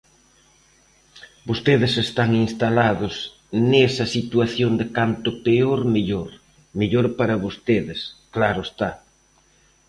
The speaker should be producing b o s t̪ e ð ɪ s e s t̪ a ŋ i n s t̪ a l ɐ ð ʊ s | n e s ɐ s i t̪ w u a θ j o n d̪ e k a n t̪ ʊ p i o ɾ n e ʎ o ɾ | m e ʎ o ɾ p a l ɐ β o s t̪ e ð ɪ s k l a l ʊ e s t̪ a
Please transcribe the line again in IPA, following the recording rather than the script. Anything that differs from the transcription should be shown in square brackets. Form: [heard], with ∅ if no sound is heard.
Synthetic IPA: b o s t̪ e ð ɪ s e s t̪ a ŋ i n s t̪ a l [a] ð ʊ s | n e s ɐ s i t̪ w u a θ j o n d̪ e k a n t̪ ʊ p [e] o ɾ [m] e ʎ o ɾ | m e ʎ o ɾ p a [ɾ] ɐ β o s t̪ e ð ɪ s k l a [ɾ] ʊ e s t̪ a